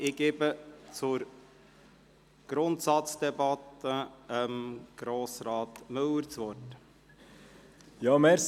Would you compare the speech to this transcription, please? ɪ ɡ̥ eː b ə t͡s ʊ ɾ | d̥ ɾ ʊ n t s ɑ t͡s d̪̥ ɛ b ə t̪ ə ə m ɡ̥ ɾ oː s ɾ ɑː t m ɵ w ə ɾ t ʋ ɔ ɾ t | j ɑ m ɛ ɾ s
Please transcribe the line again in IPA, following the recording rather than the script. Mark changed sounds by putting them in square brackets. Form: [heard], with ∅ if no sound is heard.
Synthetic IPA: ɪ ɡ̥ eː b ə t͡s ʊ ɾ | [ɡ̥] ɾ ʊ n t s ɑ t͡s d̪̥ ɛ b [ɑ] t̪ ə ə m ɡ̥ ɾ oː s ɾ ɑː t m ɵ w ə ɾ [t͡s] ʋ ɔ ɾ t | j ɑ m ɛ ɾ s